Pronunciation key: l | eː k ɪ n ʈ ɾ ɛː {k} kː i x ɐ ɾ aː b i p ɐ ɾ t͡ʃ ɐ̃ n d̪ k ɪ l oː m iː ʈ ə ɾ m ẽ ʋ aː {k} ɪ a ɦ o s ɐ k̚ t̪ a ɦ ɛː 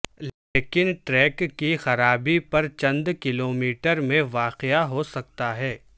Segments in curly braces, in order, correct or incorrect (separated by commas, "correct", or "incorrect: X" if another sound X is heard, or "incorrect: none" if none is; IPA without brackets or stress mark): correct, incorrect: q